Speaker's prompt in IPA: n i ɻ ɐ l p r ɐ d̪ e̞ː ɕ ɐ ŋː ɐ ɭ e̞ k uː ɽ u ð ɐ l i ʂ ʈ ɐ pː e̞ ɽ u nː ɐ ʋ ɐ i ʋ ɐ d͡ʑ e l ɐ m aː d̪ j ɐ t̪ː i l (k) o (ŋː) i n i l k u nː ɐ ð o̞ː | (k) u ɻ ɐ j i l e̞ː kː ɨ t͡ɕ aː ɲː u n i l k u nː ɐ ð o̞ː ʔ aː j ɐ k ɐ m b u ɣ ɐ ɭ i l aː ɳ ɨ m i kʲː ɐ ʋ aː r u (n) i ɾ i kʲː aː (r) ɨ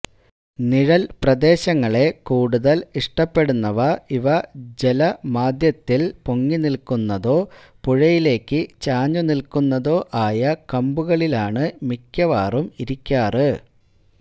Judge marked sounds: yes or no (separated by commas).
no, yes, no, no, yes